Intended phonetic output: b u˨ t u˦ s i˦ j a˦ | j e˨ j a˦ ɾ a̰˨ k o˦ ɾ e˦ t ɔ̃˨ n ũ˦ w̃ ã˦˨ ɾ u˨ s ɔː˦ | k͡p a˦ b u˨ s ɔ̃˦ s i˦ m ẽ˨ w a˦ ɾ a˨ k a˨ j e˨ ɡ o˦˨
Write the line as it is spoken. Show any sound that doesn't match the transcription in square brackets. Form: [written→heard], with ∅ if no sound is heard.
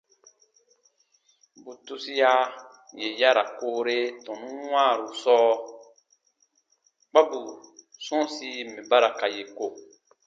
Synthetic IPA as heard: b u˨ t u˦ s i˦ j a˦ | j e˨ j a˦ ɾ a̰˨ k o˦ ɾ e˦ t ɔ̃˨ n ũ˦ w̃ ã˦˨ ɾ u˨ s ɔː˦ | k͡p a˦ b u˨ s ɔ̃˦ s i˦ m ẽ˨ [w→b] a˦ ɾ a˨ k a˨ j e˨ [ɡ→k] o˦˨